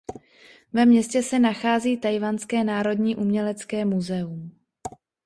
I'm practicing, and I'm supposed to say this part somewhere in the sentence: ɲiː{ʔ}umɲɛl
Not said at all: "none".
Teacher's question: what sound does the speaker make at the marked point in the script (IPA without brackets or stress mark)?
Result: ʔ